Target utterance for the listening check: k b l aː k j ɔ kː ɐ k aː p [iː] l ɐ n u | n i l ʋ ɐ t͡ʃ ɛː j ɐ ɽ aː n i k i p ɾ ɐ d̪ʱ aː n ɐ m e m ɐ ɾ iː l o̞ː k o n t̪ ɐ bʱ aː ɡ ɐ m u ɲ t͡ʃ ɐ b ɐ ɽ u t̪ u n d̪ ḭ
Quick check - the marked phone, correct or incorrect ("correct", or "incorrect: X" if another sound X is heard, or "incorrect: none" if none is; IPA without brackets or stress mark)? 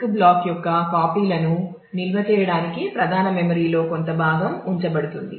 correct